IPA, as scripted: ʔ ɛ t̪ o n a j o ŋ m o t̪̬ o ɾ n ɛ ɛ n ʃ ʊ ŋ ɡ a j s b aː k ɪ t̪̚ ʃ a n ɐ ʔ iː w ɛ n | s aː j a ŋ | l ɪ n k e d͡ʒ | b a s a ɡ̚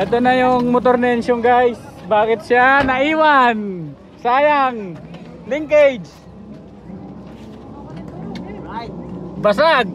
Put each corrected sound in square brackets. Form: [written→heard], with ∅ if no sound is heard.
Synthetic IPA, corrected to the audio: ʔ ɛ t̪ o n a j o ŋ m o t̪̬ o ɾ n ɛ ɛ n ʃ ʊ ŋ ɡ a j s b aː k ɪ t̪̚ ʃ a n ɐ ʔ iː w [ɛ→a] n | s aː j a ŋ | l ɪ [n→ŋ] k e d͡ʒ | b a s a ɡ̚